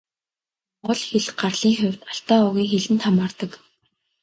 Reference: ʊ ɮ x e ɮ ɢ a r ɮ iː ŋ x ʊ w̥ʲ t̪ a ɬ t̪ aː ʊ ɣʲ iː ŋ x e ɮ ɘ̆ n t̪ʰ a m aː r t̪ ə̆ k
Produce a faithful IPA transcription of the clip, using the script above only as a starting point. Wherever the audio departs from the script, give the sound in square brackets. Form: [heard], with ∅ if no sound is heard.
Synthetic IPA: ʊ ɮ x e ɮ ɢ a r ɮ iː ŋ x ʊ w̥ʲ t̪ a ɬ t̪ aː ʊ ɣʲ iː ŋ x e ɮ ɘ̆ n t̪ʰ a m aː r t̪ ə̆ k